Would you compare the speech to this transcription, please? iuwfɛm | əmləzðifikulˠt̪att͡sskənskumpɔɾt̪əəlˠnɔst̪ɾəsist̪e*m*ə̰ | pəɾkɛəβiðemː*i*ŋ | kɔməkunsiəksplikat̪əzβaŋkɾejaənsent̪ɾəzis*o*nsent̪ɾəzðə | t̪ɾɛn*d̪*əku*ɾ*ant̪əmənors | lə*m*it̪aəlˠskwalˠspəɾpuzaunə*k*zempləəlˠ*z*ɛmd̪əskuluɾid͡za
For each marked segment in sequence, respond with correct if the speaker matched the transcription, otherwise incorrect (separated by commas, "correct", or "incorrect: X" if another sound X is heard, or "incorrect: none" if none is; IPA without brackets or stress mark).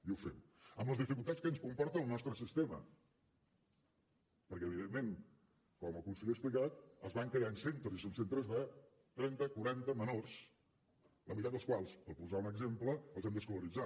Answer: correct, incorrect: e, correct, incorrect: t̪, correct, correct, incorrect: ɡ, correct